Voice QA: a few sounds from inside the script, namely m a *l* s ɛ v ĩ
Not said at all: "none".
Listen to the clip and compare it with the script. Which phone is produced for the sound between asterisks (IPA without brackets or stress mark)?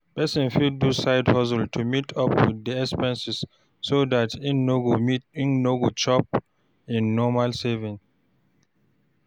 l